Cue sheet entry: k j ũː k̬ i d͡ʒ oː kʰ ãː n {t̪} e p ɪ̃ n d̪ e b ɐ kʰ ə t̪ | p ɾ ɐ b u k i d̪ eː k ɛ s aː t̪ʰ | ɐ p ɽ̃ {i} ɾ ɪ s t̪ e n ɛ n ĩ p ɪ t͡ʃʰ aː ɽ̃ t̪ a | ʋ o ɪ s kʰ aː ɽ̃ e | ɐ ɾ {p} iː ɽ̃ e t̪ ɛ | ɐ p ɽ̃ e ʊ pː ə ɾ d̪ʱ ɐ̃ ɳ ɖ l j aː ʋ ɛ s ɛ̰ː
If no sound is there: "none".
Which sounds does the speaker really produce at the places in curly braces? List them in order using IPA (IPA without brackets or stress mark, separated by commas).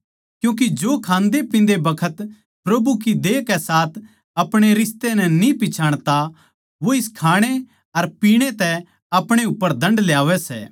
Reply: d̪, e, p